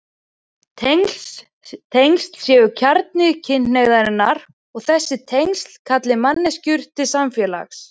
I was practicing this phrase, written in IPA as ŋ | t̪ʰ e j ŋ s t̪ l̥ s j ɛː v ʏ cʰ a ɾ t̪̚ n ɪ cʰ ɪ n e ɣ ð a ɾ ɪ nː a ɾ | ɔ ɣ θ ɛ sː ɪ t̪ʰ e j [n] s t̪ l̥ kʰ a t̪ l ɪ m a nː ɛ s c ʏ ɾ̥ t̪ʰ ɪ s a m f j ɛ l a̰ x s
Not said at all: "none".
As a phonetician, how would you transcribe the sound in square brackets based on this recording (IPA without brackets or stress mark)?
ŋ